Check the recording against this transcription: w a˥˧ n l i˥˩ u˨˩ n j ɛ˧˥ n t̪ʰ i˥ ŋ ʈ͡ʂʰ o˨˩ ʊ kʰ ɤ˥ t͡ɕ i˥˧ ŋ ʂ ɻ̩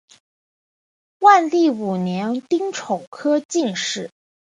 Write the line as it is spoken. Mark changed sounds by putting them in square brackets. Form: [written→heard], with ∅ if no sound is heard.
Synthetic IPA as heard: w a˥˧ n l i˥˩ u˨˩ n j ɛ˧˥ n [t̪ʰ→t̪] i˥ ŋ ʈ͡ʂʰ o˨˩ ʊ kʰ ɤ˥ t͡ɕ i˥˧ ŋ ʂ ɻ̩